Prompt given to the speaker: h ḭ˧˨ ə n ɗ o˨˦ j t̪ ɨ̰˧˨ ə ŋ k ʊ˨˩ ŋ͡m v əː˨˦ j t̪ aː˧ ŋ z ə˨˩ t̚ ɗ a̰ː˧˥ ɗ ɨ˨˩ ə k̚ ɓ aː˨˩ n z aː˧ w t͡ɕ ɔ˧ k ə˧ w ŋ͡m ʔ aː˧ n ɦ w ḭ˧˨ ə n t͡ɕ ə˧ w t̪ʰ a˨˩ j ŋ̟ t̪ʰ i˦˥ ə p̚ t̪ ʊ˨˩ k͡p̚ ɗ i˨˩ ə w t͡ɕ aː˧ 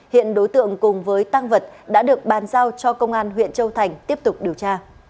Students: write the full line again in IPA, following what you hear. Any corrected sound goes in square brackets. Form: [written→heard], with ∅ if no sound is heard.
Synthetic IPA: h ḭ˧˨ ə n ɗ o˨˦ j t̪ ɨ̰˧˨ ə ŋ k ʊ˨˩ ŋ͡m v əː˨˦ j t̪ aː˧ ŋ [z→v] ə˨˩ t̚ ɗ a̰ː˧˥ ɗ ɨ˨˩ ə k̚ ɓ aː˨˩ n z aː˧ w t͡ɕ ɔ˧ k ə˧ w ŋ͡m ʔ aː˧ n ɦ w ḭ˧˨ ə n t͡ɕ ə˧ w t̪ʰ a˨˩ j ŋ̟ [t̪ʰ→t̪] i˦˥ ə p̚ t̪ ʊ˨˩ k͡p̚ ɗ i˨˩ ə w t͡ɕ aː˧